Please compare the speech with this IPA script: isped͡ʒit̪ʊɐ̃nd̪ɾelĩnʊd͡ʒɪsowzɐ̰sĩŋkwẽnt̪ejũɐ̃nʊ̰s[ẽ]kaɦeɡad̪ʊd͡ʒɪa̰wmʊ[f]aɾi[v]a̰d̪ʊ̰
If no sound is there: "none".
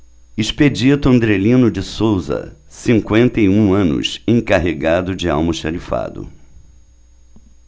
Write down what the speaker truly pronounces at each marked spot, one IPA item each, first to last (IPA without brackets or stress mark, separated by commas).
ẽ, ʃ, f